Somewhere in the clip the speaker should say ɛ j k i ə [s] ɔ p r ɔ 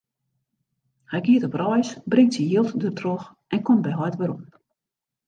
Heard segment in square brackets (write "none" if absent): t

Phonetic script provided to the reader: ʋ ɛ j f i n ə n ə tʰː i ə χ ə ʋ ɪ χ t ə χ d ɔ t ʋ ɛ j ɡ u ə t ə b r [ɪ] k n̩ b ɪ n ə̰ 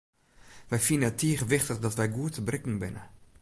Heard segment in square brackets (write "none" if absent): ɪ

